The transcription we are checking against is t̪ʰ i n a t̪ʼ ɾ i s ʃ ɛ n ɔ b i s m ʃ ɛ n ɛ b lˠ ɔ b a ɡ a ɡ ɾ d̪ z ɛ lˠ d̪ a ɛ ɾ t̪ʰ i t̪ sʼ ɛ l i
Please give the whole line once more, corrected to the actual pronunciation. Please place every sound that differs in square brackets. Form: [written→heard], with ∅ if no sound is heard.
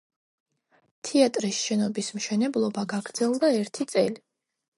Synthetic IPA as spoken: t̪ʰ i [n→∅] a t̪ʼ ɾ i s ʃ ɛ n ɔ b i s m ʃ ɛ n ɛ b lˠ ɔ b a ɡ a ɡ ɾ d̪ z ɛ lˠ d̪ a ɛ ɾ t̪ʰ i t̪ sʼ ɛ l i